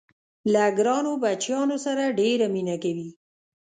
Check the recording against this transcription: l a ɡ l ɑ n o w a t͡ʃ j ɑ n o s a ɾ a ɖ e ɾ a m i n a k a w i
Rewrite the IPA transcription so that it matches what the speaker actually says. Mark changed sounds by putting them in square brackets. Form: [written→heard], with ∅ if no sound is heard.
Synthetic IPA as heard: l a ɡ [l→ɾ] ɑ n o [w→b] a t͡ʃ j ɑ n o s a ɾ a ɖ e ɾ a m i n a k a w i